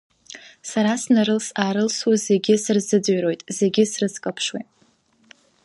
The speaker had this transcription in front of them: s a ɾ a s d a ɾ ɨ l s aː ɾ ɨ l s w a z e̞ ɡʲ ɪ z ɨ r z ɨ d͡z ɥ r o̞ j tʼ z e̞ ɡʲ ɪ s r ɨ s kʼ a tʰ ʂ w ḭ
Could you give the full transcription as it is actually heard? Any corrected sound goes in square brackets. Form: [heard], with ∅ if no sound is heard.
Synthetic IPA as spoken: s a ɾ a s [n] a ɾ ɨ l s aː ɾ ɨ l s w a z e̞ ɡʲ ɪ [s] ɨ r z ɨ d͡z ɥ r o̞ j tʼ z e̞ ɡʲ ɪ s r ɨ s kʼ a [pʰ] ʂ w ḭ